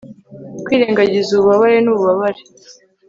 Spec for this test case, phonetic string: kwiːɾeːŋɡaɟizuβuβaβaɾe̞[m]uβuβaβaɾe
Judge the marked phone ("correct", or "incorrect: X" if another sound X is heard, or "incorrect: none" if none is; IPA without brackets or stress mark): incorrect: n